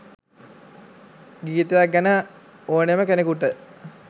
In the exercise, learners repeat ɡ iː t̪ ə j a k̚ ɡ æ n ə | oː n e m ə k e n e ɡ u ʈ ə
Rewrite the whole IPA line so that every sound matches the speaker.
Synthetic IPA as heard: ɡ iː t̪ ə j a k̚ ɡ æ n ə | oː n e m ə k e n e k u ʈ ə